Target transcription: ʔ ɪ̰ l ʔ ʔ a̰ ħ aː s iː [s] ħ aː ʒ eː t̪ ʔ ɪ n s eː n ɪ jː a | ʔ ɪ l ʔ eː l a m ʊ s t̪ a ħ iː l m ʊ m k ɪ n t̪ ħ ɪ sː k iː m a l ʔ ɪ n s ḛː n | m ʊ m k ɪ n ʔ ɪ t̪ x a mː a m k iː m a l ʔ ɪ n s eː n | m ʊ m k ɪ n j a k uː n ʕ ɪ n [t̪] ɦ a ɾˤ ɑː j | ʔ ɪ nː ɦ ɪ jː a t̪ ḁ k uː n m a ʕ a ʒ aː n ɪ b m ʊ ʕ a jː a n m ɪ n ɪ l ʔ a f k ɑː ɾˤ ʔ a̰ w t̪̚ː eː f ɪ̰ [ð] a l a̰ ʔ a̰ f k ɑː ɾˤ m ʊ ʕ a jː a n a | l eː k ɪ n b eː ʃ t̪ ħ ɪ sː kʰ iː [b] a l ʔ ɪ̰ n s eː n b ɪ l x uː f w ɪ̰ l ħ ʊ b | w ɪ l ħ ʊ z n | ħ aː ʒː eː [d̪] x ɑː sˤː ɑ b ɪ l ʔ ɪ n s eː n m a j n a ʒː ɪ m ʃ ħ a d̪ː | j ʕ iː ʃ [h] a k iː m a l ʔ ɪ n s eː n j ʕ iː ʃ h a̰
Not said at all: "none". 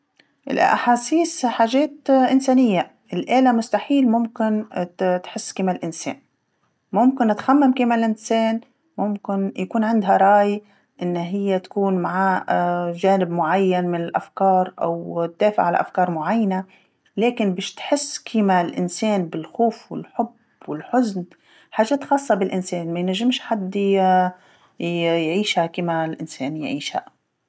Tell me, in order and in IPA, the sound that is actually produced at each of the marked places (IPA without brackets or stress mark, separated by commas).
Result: s, d̪, ʕ, m, t̪, h